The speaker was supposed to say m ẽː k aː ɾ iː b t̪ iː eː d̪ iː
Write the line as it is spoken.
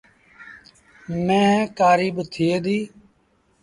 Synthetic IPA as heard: m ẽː k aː ɾ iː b t̪ʰ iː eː d̪ iː